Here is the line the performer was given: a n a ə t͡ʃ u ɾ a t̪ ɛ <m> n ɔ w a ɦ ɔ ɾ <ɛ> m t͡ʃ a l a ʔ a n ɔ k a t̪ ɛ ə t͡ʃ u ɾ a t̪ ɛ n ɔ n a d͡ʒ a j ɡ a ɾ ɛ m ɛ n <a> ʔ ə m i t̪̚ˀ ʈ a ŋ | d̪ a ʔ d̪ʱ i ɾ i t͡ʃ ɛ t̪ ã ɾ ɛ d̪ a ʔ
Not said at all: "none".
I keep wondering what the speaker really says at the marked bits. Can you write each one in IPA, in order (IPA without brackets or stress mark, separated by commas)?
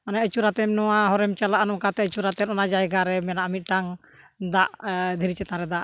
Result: m, ɛ, a